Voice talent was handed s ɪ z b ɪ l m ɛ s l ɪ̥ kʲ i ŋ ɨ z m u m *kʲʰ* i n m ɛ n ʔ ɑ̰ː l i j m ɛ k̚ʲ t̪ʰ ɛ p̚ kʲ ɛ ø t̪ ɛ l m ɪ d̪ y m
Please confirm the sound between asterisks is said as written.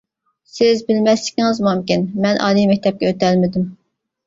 no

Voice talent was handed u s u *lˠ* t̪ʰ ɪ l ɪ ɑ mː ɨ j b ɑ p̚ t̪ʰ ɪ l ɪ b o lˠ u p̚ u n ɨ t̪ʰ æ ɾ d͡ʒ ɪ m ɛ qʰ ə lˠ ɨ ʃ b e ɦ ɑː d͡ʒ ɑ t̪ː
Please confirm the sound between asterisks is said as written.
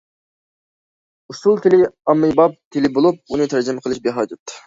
yes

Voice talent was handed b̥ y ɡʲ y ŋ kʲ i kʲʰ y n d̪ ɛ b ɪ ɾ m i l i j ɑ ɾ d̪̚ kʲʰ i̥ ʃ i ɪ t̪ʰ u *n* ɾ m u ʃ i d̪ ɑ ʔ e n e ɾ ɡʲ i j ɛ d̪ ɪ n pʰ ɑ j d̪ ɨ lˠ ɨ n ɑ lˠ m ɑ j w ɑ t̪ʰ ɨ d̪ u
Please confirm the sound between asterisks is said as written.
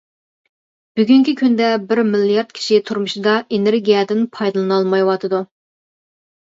no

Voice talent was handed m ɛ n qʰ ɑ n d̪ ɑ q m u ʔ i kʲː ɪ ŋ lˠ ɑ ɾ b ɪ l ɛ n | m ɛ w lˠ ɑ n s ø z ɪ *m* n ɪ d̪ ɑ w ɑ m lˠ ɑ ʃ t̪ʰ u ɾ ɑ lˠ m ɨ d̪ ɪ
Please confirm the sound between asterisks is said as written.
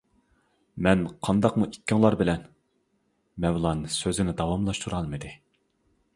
no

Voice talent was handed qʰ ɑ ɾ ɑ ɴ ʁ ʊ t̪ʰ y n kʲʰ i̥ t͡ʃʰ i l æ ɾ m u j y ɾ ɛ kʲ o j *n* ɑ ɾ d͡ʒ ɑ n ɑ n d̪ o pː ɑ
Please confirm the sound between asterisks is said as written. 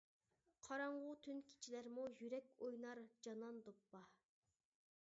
yes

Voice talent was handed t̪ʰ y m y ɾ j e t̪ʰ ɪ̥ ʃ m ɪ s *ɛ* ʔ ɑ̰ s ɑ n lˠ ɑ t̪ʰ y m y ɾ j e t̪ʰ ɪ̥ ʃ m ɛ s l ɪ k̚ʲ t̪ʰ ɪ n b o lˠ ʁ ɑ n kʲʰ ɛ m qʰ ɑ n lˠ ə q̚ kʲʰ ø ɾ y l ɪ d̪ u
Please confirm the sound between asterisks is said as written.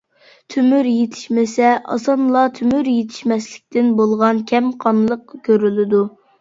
yes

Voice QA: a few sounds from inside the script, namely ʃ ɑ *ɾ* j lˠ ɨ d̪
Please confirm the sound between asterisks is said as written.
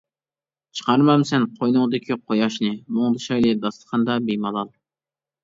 no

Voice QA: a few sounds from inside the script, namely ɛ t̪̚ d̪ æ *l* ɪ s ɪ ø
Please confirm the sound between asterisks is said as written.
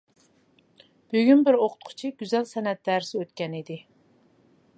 no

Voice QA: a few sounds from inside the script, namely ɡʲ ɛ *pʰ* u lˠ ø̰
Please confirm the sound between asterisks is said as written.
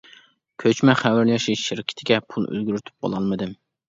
yes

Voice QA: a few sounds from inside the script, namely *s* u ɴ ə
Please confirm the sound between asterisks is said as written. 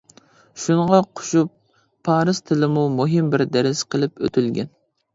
no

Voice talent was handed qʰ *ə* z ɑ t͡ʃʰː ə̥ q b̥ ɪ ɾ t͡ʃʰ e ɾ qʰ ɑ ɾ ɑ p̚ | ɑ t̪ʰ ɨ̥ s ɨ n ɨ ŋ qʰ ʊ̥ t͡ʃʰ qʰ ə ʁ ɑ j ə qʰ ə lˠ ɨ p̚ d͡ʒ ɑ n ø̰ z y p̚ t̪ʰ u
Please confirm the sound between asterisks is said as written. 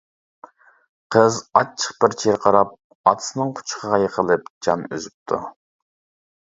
yes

